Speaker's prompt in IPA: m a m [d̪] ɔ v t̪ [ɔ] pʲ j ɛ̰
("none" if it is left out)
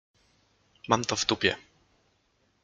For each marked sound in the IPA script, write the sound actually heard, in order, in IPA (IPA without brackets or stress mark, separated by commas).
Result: t̪, u